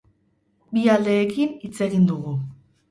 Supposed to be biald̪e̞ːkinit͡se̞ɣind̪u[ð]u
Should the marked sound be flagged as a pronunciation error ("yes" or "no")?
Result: yes